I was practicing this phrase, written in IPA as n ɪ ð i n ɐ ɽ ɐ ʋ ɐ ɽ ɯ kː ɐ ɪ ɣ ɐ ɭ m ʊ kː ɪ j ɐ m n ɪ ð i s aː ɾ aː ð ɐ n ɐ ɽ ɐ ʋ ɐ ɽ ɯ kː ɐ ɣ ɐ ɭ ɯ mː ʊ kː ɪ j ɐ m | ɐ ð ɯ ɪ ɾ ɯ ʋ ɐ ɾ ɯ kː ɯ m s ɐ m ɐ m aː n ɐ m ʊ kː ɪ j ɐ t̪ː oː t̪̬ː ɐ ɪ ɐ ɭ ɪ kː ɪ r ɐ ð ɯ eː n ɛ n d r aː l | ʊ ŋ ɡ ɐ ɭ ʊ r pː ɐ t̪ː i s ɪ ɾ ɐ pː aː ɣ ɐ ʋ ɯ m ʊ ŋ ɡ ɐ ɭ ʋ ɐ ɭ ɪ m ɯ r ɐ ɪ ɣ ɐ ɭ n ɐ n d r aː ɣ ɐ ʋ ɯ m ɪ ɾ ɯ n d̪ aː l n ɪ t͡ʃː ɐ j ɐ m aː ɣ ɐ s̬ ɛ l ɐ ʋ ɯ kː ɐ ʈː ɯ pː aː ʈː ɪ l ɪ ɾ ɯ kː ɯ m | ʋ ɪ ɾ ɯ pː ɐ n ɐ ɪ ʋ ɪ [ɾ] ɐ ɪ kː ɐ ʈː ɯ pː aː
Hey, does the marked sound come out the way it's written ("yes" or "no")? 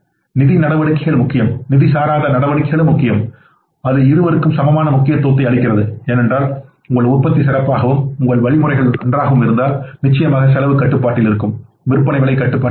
no